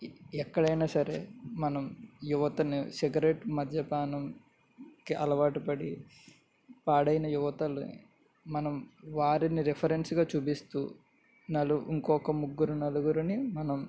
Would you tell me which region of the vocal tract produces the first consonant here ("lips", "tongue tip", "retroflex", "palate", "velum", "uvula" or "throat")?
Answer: velum